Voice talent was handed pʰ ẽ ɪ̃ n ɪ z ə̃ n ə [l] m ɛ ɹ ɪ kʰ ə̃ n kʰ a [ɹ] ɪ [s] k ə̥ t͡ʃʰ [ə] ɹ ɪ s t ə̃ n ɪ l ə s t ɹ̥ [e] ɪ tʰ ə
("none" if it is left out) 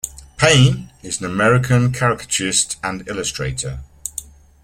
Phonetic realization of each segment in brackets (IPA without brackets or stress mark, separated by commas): none, ɹ, none, ə, e